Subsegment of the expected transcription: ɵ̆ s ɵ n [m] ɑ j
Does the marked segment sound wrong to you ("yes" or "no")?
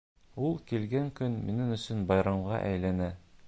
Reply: yes